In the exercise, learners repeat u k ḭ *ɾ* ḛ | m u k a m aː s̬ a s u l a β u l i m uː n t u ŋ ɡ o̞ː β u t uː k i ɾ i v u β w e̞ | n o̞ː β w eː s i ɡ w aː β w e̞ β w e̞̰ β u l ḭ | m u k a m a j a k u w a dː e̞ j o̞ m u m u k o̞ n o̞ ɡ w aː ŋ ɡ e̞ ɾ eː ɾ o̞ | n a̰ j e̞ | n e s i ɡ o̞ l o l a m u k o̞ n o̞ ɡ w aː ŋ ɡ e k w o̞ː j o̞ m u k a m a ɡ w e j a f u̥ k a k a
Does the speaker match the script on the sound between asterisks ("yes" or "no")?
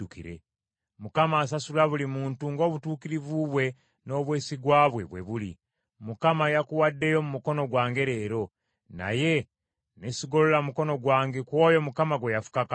yes